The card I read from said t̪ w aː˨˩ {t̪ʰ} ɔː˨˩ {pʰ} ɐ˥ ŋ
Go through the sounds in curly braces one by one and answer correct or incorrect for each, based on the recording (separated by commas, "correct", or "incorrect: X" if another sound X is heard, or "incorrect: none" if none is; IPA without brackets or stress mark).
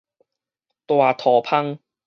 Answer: correct, correct